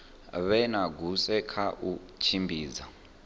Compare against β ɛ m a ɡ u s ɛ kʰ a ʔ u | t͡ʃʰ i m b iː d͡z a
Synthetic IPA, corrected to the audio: β ɛ n a ɡ u s ɛ kʰ a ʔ u | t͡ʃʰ i m b iː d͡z a